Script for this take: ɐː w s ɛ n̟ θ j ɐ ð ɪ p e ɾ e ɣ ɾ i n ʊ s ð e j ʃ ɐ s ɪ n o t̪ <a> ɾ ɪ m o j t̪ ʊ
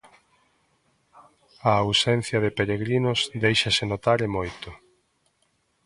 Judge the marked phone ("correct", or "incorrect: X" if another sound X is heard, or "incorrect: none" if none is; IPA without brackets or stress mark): correct